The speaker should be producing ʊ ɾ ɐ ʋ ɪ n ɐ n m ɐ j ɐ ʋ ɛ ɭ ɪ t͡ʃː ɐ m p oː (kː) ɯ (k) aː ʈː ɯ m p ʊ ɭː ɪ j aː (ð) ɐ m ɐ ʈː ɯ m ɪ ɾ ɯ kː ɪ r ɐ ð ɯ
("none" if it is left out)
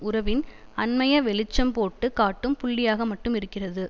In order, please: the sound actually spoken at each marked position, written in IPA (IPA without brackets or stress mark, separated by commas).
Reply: ʈː, k, ɣ